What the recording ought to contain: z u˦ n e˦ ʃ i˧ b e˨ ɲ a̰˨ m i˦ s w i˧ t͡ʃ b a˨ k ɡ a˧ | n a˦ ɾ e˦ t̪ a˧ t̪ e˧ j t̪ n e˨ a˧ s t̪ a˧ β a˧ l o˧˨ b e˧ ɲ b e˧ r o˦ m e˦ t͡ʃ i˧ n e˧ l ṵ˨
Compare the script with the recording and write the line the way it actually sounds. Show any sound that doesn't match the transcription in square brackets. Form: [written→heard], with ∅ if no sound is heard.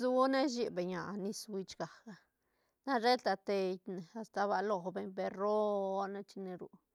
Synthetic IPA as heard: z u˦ n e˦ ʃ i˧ b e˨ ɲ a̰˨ [m→n] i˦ s w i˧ t͡ʃ [b→ɡ] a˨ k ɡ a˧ | n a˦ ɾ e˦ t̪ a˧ t̪ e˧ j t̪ n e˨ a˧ s t̪ a˧ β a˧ l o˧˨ b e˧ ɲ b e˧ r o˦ [m→n] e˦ t͡ʃ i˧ n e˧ [l→ɾ] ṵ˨